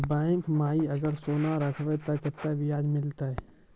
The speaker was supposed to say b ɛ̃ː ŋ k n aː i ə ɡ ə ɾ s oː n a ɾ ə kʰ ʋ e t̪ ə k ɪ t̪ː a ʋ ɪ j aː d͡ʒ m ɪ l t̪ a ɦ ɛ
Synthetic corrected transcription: b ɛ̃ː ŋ k m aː i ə ɡ ə ɾ s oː n a ɾ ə kʰ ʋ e t̪ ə k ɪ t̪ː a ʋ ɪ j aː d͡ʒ m ɪ l t̪ a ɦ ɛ